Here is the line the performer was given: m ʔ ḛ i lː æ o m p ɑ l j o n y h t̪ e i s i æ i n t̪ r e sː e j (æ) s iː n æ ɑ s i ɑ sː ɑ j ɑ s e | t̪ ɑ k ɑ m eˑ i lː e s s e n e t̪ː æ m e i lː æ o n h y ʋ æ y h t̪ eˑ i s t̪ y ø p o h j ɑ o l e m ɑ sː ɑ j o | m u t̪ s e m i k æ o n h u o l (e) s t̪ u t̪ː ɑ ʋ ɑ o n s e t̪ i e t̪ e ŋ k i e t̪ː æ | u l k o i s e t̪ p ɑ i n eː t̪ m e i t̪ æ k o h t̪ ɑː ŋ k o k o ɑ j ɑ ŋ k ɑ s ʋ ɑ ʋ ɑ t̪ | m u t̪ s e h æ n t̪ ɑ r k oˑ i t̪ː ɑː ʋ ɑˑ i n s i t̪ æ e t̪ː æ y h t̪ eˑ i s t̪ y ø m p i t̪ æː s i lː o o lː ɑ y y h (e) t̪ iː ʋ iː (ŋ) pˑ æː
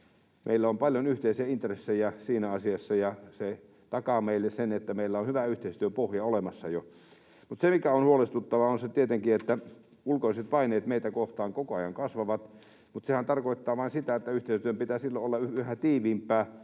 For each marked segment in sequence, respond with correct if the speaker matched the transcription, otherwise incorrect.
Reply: correct, correct, incorrect: æ, incorrect: m

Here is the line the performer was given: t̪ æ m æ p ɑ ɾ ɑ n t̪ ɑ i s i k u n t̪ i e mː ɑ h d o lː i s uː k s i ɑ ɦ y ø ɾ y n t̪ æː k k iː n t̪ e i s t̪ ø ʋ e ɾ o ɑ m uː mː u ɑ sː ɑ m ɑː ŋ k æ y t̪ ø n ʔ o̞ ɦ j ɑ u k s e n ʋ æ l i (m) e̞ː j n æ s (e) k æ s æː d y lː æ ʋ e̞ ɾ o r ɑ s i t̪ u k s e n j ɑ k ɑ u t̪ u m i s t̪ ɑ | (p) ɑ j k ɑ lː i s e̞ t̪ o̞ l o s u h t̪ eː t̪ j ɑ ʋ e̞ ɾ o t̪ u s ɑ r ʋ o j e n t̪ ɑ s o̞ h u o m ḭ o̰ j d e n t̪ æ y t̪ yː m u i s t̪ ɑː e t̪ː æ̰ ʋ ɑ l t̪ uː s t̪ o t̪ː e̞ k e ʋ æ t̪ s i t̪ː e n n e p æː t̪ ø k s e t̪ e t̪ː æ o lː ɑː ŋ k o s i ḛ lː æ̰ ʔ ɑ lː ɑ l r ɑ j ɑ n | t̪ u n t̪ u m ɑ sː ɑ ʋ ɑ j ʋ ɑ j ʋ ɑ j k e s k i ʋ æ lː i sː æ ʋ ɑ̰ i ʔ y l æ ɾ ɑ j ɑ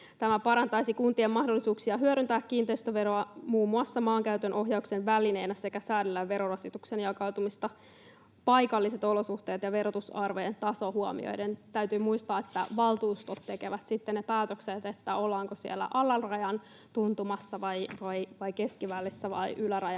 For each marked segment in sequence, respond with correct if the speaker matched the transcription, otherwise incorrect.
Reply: incorrect: n, correct, correct

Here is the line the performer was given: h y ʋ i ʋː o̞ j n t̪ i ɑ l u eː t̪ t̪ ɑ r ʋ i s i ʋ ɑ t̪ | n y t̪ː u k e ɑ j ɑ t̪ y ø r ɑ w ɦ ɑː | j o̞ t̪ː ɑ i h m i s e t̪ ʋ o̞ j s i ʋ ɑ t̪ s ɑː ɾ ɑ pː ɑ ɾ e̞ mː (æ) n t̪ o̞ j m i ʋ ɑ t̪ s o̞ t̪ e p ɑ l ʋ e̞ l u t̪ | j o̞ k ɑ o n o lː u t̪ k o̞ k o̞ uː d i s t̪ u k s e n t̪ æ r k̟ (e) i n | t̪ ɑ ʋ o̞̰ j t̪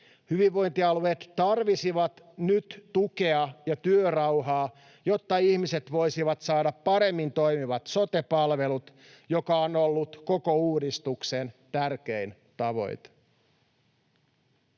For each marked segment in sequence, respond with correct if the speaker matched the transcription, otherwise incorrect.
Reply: incorrect: i, correct

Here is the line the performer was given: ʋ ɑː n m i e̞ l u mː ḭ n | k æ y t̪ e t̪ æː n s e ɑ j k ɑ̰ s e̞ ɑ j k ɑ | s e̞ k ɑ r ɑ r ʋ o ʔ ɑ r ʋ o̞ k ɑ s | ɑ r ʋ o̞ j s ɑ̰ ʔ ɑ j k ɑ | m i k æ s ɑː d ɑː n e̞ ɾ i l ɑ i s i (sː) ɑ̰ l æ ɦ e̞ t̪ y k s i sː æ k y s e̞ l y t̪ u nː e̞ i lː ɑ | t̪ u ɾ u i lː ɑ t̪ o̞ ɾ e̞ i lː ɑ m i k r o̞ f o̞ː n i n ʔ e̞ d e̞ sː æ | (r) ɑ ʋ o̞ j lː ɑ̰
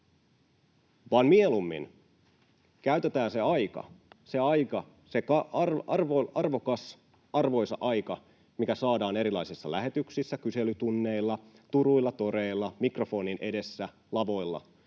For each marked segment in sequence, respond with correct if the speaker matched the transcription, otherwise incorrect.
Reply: correct, incorrect: l

